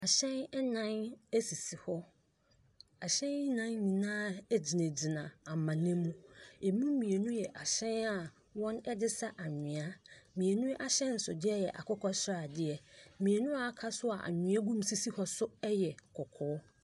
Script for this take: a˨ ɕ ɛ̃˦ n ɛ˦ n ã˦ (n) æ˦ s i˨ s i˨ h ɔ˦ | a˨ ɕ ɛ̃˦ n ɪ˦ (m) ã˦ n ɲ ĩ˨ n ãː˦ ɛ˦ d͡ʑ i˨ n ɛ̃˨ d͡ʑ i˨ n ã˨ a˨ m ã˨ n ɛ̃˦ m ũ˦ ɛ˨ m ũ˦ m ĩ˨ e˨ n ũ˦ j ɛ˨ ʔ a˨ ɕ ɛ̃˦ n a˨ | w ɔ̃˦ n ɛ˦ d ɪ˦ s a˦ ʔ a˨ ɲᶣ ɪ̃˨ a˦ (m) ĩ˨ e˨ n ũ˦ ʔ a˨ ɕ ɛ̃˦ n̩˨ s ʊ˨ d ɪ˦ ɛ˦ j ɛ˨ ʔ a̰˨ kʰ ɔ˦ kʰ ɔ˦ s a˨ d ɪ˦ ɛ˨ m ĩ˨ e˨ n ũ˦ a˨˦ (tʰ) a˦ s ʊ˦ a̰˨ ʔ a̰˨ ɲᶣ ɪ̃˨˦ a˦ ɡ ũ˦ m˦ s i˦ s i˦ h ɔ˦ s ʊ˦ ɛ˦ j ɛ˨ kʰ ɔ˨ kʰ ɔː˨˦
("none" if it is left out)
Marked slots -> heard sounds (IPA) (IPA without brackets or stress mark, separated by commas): n, n, m, kʰ